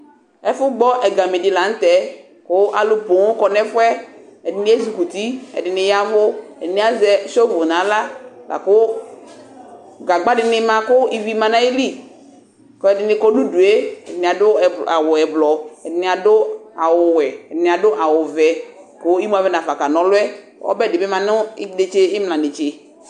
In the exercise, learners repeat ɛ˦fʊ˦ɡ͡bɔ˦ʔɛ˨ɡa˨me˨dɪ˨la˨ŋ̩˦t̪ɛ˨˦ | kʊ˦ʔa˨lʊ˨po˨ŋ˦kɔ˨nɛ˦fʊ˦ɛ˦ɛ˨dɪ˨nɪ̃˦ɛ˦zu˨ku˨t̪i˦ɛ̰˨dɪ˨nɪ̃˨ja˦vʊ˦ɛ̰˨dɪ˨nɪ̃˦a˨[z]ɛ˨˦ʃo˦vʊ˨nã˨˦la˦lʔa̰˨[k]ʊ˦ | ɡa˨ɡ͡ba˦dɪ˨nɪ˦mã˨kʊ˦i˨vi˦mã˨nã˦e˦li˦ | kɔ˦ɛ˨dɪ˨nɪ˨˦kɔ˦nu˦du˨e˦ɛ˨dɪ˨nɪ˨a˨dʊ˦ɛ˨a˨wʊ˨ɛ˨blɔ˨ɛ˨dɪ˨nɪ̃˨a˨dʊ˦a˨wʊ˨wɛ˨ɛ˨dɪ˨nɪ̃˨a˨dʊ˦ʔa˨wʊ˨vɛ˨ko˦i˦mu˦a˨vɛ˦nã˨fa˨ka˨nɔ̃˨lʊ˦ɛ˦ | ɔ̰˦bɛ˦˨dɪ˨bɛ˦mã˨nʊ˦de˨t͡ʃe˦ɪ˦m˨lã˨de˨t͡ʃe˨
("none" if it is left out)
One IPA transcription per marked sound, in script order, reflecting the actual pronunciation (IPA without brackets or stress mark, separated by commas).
z, k